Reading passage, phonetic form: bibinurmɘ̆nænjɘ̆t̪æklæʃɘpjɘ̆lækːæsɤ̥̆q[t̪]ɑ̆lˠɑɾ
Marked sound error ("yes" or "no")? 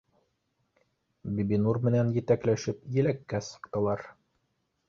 no